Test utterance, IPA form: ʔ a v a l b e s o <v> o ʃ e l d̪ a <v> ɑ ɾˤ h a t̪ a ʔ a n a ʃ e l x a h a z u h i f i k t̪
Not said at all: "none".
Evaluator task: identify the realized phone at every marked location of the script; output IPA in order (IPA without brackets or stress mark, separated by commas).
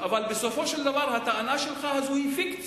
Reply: f, v